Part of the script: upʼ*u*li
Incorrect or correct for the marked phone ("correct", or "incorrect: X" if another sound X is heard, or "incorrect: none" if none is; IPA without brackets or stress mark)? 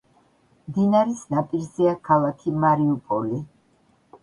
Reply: incorrect: ɔ